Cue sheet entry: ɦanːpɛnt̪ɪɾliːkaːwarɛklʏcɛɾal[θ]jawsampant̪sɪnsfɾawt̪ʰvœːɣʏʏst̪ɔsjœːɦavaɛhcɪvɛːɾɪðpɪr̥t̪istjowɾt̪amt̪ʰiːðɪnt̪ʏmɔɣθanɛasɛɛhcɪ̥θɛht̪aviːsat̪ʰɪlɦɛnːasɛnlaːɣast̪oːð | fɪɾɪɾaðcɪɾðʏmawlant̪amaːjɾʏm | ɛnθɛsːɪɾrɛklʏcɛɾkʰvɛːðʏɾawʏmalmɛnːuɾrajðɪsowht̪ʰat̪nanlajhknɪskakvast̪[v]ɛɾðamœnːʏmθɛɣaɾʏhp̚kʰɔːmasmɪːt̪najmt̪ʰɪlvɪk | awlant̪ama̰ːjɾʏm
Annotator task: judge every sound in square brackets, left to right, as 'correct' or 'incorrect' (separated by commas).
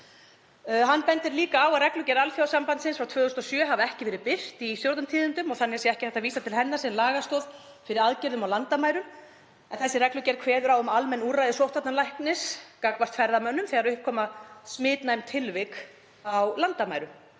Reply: incorrect, incorrect